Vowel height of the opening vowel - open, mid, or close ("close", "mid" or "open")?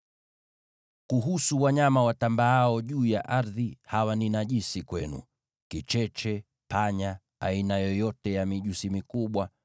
close